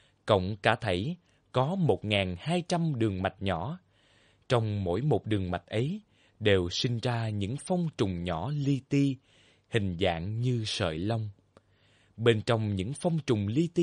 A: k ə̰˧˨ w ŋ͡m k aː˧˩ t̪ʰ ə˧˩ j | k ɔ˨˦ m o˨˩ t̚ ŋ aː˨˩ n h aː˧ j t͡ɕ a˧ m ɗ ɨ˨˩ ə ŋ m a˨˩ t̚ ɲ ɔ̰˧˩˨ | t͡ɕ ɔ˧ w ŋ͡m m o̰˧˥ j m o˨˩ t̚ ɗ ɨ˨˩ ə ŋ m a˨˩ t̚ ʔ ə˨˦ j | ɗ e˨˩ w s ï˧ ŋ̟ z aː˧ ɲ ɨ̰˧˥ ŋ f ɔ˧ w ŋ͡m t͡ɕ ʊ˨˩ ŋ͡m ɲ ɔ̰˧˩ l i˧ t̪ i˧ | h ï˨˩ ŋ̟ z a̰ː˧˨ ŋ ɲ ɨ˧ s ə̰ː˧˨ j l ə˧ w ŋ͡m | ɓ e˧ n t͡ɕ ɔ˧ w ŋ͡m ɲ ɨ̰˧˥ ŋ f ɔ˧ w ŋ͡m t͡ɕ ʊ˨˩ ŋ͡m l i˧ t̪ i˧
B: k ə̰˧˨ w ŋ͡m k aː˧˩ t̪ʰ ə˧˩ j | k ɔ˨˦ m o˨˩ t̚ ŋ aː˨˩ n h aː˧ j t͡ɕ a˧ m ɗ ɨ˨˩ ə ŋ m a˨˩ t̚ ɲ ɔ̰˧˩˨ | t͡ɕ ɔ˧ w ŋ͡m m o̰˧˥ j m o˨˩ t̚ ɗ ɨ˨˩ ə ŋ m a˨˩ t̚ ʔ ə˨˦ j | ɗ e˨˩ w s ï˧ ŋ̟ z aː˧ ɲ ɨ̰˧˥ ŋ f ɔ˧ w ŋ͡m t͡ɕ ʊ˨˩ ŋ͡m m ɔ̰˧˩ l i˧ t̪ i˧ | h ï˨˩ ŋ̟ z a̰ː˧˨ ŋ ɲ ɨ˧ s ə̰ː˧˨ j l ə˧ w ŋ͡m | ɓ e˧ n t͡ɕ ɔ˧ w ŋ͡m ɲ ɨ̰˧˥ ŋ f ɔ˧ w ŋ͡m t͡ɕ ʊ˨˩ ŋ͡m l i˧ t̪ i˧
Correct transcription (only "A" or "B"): A